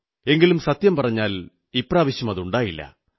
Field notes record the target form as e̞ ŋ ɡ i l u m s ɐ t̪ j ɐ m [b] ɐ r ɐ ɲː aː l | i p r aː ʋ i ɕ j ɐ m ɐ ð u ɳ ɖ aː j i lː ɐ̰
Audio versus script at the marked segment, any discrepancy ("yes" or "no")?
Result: yes